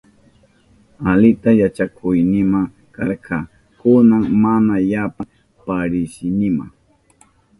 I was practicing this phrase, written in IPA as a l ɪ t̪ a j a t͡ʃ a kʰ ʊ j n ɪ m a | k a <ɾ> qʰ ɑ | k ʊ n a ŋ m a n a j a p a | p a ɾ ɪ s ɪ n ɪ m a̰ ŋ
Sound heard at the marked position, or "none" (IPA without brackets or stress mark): ɾ